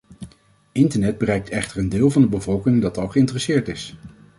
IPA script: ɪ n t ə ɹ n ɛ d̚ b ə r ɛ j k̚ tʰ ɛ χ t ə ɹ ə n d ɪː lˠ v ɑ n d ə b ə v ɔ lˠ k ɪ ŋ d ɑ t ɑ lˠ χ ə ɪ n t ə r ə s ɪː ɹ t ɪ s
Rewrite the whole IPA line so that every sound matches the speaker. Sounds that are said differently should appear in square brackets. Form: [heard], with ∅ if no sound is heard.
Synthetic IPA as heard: ɪ n t ə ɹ n ɛ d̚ b ə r ɛ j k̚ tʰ ɛ χ t ə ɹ ə n d ɪː lˠ v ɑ n d ə b ə v ɔ lˠ k ɪ ŋ d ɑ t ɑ lˠ χ ə ɪ n t ə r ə s ɪː ɹ t ɪ s